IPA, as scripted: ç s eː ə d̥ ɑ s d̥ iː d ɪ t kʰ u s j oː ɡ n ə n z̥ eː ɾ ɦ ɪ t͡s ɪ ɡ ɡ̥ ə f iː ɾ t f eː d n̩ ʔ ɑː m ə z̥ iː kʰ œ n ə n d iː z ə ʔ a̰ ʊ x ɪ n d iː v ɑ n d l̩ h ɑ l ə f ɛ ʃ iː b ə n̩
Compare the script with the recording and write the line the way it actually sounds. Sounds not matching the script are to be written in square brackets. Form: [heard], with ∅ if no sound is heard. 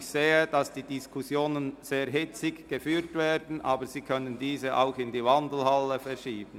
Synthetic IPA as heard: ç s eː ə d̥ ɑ s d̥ iː d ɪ [s] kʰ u s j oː [∅] n ə n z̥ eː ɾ ɦ ɪ t͡s ɪ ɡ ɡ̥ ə f [yː] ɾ t [v] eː d n̩ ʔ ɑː [b] ə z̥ iː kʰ œ n ə n d iː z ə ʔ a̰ ʊ x ɪ n d iː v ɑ n d l̩ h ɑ l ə f ɛ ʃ iː b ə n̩